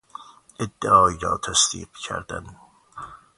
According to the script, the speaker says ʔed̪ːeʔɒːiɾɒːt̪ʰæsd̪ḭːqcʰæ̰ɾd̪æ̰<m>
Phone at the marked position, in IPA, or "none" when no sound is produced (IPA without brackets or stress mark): n